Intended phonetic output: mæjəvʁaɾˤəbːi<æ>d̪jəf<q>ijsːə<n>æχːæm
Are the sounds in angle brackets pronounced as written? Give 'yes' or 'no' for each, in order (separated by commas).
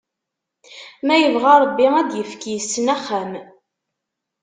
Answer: yes, no, yes